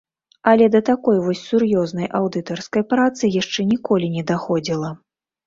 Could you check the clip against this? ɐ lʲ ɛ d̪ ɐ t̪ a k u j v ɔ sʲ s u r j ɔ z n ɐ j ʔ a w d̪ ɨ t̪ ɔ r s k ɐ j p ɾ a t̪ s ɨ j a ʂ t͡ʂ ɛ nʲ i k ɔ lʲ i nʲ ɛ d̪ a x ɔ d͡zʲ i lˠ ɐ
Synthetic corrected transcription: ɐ lʲ ɛ d̪ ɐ t̪ a k ɔ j v ɔ sʲ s u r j ɔ z n ɐ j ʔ a w d̪ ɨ t̪ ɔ r s k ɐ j p ɾ a t̪ s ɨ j a ʂ t͡ʂ ɛ nʲ i k ɔ lʲ i nʲ ɛ d̪ a x ɔ d͡zʲ i lˠ ɐ